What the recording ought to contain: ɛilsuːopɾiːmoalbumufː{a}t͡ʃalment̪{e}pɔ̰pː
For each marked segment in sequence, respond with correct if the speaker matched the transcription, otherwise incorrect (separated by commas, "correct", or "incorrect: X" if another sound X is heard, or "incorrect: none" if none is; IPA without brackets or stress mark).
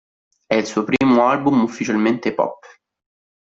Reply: incorrect: i, correct